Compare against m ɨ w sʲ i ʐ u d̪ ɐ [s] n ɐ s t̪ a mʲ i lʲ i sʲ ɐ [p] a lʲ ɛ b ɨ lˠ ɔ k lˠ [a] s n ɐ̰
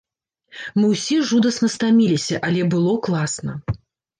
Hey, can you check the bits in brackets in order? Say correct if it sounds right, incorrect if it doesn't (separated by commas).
correct, incorrect, correct